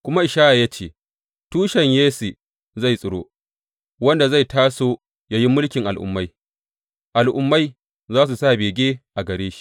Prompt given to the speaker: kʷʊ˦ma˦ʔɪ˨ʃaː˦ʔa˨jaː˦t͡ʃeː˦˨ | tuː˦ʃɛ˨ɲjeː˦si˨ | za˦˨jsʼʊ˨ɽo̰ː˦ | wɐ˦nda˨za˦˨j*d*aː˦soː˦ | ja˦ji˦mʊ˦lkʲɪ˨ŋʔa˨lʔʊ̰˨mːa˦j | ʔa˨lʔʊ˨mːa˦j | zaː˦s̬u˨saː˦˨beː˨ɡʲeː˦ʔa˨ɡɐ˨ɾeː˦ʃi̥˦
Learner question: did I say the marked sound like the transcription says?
no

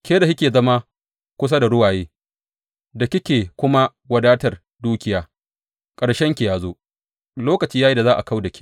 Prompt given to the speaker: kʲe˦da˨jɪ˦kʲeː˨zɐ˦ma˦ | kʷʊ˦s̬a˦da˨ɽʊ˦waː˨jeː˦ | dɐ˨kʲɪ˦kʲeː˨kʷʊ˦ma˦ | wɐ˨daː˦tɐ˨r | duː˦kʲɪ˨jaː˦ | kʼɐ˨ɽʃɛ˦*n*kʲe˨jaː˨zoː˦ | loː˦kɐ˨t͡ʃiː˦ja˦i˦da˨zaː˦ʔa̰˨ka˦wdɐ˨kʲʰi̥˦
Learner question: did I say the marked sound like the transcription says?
no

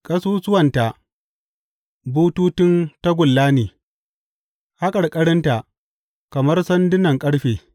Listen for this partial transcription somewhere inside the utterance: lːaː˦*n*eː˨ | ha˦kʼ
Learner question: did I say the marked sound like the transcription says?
yes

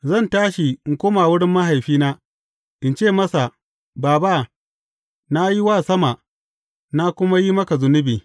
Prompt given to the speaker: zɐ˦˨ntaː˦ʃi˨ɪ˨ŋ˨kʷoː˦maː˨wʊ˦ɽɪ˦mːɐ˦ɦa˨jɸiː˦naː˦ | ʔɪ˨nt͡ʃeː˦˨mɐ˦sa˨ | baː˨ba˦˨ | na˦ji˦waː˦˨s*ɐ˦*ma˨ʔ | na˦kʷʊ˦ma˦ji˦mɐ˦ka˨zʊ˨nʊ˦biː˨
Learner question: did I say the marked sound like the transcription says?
yes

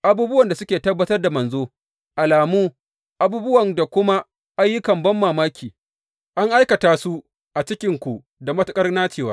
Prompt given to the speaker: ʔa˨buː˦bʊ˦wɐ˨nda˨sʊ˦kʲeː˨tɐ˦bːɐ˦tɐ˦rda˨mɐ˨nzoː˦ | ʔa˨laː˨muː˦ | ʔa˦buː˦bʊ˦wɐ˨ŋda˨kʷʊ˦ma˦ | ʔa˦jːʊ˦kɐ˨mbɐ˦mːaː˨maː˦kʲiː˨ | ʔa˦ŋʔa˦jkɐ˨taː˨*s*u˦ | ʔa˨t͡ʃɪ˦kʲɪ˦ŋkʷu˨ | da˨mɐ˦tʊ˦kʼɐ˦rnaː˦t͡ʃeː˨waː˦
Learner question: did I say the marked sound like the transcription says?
yes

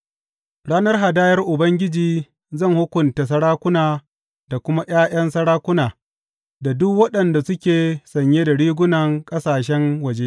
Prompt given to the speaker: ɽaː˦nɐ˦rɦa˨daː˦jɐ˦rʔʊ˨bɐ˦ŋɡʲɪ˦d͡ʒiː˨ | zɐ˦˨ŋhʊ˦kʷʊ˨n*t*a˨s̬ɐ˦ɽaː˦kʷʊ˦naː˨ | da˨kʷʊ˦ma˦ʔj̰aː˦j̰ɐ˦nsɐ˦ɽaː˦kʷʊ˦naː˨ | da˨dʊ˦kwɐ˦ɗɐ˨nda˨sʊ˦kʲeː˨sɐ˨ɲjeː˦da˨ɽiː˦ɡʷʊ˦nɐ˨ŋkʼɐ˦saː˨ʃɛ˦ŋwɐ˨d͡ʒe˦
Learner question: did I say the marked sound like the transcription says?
yes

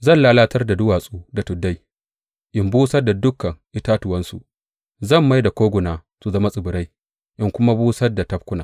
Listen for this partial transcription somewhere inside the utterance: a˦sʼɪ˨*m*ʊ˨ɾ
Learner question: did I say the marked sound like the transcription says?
no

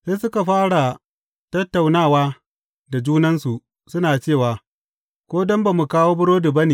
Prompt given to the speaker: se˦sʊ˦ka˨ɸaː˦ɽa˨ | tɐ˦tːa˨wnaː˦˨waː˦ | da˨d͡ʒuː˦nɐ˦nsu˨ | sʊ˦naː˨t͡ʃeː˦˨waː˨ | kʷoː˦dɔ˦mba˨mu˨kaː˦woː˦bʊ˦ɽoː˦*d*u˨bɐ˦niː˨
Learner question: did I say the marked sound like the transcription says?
yes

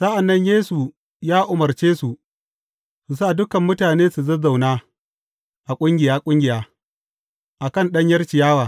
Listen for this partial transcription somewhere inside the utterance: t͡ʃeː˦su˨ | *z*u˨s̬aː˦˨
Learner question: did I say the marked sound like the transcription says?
no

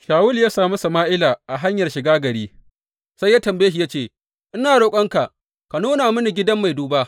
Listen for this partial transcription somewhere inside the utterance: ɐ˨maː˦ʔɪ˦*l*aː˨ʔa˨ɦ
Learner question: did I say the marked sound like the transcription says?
yes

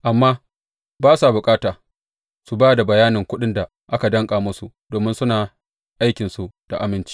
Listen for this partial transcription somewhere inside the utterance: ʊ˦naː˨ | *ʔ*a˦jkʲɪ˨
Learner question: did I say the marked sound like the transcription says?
yes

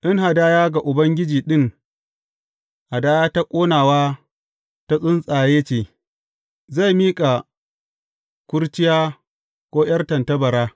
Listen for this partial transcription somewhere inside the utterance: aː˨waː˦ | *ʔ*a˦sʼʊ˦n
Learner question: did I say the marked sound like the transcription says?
no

